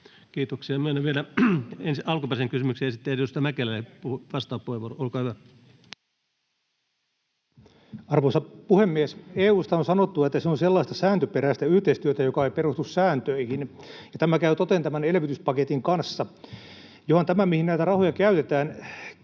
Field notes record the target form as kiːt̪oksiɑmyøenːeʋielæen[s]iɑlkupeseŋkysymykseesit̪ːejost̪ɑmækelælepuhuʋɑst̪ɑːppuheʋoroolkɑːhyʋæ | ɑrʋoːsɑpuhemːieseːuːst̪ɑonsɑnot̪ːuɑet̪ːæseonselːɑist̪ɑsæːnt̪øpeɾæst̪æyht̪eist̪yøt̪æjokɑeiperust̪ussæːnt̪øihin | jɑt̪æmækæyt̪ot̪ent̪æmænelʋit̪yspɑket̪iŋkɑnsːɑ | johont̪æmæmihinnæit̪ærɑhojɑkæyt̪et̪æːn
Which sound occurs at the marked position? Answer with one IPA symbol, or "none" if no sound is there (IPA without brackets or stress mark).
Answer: s